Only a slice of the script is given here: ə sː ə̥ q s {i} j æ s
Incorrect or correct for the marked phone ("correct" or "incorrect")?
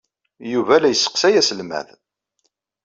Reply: incorrect